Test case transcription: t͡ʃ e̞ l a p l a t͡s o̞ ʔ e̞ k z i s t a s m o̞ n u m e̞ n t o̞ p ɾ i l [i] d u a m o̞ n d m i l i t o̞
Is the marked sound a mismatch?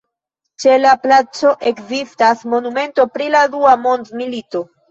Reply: yes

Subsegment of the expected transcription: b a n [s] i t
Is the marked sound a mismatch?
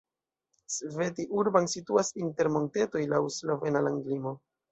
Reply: no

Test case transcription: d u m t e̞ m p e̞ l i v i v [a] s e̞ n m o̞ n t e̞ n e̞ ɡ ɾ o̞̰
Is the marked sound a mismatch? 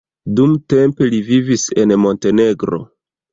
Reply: yes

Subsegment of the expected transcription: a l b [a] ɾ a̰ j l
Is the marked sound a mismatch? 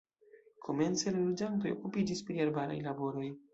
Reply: no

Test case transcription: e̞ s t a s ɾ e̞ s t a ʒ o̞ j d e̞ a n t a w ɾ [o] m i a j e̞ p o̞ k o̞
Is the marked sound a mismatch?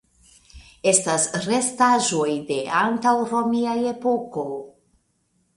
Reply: no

